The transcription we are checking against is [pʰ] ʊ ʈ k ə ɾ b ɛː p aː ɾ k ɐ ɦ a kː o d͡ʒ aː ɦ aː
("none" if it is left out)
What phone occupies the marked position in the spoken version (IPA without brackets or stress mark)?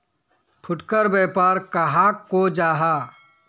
pʰ